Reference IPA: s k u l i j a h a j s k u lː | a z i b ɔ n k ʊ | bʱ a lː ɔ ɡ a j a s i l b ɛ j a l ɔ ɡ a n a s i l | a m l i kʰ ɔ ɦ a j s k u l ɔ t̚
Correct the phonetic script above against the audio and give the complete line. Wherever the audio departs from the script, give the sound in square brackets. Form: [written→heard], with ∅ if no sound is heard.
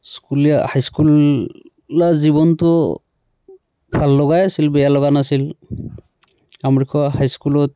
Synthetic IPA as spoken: s k u l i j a h a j s k u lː | a z i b ɔ n [k→t] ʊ | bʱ a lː ɔ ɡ a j a s i l b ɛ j a l ɔ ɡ a n a s i l | a m [l→ɹ] i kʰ ɔ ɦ a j s k u l ɔ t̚